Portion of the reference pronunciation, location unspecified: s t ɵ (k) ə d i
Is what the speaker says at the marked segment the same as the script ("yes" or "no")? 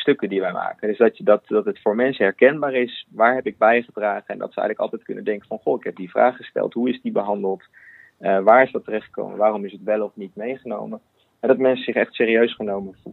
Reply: yes